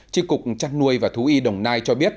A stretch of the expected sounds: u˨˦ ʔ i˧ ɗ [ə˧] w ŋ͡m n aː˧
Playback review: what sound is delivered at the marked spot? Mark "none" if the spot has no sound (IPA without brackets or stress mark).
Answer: ə˨˩